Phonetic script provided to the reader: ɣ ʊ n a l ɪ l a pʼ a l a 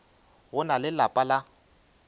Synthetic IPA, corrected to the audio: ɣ ʊ n a l ɪ l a pʼ a l a